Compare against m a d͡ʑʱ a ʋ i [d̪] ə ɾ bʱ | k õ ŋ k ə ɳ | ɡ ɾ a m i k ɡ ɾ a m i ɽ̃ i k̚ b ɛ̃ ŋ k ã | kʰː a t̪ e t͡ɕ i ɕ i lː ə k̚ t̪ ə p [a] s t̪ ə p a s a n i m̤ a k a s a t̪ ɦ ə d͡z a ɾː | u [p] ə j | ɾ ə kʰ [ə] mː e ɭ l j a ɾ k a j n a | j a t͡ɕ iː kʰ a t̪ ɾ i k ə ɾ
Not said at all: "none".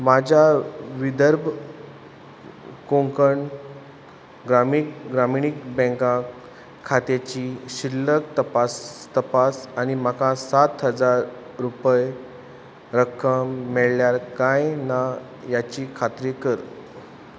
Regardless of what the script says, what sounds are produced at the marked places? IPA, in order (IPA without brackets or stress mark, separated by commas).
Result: d̪, a, p, ə